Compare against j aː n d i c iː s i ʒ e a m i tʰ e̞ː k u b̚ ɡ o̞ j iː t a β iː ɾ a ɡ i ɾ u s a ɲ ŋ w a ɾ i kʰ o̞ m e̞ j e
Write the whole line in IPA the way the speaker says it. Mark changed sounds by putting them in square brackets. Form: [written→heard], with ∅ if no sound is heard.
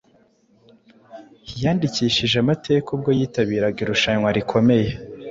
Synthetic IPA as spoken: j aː n d i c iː [s→ʃ] i ʒ e a m [i→a] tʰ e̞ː k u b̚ ɡ o̞ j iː t a β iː ɾ a ɡ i ɾ u [s→ʃ] a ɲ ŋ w a ɾ i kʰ o̞ m e̞ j e